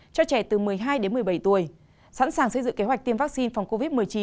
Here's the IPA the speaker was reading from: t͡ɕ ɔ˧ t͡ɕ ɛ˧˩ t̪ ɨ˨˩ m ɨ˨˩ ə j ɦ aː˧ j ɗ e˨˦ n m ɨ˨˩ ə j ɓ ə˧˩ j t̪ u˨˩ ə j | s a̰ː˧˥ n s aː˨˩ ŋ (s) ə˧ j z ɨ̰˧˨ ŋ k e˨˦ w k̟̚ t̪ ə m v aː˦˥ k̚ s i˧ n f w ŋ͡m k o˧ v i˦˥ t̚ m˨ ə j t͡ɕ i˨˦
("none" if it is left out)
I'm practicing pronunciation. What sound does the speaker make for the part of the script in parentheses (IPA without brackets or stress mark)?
s